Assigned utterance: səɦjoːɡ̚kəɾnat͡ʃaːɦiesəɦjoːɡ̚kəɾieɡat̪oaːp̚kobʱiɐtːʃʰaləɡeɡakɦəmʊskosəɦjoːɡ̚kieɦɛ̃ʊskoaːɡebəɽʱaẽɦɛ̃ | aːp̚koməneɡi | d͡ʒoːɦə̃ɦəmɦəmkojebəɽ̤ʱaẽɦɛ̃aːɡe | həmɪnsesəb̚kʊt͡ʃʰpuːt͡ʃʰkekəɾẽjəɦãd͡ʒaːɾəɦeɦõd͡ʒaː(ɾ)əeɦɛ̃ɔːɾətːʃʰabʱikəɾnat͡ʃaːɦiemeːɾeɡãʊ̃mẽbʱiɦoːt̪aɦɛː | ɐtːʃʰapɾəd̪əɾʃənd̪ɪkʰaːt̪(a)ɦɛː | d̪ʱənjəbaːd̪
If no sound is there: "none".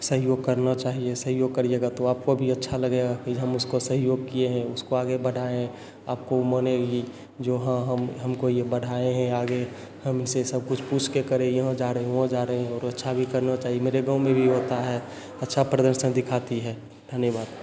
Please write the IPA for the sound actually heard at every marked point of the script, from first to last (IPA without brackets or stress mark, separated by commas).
ɾ, i